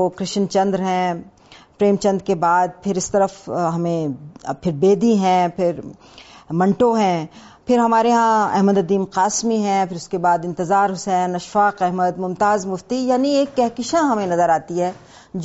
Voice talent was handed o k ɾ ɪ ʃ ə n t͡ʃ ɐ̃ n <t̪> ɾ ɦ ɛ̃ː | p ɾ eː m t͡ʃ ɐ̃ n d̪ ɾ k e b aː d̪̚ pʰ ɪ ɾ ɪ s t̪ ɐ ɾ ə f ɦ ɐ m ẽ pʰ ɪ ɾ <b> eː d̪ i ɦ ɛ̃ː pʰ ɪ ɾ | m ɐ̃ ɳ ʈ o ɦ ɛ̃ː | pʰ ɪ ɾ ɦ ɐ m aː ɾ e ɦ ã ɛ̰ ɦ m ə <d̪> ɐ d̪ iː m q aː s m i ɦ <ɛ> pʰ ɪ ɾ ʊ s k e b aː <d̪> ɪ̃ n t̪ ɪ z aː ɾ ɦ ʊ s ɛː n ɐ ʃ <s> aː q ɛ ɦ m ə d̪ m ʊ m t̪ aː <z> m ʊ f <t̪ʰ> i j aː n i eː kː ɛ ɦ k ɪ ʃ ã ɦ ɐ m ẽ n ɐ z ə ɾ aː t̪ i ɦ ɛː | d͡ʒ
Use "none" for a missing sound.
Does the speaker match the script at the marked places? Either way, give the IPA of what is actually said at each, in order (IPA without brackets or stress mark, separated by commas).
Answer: d̪, b, d̪, ɛ̃, d̪, f, z, t̪